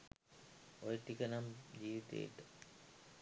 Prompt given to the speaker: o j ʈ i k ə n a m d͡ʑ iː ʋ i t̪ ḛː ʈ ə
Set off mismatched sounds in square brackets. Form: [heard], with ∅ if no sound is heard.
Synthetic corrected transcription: o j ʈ i k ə n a m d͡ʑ iː ʋ i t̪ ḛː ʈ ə